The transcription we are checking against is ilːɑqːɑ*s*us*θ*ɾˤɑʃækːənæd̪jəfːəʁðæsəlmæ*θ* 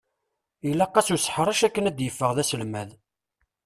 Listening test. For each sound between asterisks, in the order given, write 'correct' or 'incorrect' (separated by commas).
correct, incorrect, incorrect